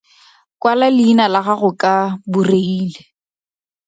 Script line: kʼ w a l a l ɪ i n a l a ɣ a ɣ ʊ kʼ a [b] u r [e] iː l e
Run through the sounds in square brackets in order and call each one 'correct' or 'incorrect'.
correct, correct

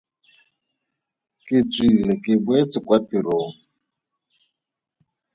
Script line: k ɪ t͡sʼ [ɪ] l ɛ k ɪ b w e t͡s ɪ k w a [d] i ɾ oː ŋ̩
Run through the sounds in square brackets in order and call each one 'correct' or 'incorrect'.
incorrect, incorrect

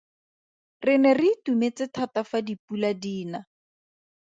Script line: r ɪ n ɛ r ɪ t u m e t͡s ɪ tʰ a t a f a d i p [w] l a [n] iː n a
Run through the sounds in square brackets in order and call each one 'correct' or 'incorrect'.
incorrect, incorrect

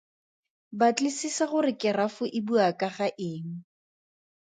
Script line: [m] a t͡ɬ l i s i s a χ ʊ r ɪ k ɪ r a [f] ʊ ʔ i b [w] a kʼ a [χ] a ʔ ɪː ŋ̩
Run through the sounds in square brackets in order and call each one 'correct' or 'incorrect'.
incorrect, correct, incorrect, correct

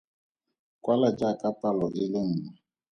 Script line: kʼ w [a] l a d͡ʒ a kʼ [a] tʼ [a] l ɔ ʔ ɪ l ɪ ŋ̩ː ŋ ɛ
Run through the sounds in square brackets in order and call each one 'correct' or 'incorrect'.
correct, correct, correct

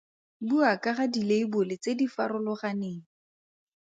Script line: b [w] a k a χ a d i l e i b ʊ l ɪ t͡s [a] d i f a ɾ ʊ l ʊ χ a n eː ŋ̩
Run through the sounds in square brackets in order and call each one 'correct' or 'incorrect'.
incorrect, incorrect

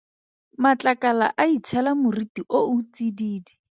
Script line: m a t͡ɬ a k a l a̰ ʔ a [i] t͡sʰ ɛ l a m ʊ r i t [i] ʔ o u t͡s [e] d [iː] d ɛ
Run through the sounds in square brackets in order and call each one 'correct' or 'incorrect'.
correct, correct, incorrect, correct

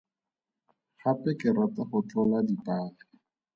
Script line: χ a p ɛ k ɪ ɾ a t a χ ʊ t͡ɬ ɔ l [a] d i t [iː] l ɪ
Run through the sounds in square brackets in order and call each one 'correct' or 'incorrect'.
correct, incorrect

